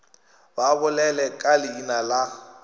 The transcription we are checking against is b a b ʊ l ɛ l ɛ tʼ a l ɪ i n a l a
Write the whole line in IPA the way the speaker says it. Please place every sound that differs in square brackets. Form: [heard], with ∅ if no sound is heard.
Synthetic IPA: b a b ʊ l ɛ l ɛ [kʼ] a l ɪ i n a l a